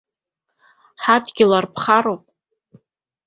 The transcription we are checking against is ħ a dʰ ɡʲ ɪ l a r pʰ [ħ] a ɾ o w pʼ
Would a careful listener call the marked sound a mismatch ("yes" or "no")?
yes